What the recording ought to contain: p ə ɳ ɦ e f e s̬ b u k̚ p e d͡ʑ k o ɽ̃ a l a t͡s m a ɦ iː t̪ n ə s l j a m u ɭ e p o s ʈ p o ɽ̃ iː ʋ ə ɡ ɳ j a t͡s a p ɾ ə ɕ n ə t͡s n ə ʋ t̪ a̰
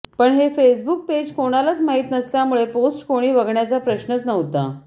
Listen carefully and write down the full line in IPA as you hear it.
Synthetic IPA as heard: p ə ɳ ɦ e f e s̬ b u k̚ p e d͡ʑ k o ɽ̃ a l a t͡s m a ɦ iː t̪ n ə s l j a m u ɭ e p o s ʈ k o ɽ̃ iː ʋ ə ɡ ɳ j a t͡s a p ɾ ə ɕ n ə t͡s n ə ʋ t̪ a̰